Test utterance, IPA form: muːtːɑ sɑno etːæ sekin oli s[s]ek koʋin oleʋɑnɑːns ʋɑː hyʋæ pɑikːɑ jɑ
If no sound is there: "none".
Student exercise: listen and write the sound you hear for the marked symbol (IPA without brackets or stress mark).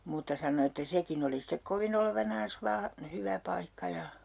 t